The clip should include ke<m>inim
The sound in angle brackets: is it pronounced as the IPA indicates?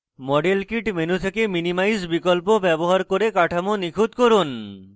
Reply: yes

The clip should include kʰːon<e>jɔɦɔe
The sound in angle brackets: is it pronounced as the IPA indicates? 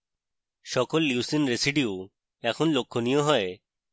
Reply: no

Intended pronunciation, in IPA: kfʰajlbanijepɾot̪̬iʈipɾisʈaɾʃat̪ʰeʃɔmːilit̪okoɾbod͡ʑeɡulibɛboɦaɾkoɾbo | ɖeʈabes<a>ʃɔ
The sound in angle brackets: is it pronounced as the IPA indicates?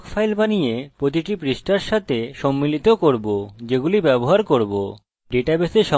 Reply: no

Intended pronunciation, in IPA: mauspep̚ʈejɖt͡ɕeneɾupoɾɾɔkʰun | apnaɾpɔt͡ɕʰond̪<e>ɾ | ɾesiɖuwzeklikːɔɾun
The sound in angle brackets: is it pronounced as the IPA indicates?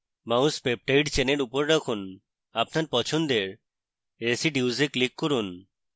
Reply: yes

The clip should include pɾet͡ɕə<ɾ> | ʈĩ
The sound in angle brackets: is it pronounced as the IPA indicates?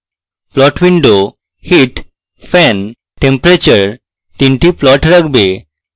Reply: yes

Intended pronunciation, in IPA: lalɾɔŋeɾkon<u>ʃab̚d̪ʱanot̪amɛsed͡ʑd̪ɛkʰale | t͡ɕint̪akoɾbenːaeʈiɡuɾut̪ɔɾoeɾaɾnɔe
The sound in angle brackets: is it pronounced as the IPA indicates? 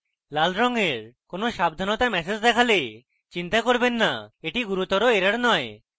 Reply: no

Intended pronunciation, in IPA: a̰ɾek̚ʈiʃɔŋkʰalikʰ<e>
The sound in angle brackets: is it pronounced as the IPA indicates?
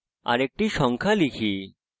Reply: no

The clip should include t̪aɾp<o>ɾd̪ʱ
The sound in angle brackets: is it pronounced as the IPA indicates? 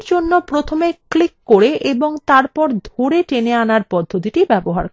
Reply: no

